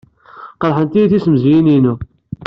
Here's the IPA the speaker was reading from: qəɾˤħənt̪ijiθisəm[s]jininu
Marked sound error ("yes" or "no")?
yes